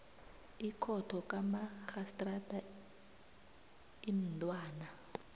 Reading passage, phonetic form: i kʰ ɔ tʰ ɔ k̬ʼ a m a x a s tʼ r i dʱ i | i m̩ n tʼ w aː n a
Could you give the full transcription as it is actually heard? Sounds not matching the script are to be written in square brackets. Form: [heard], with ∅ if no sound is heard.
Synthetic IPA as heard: i kʰ ɔ tʰ ɔ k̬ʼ a m a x a s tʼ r [a] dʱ [a] | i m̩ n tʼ w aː n a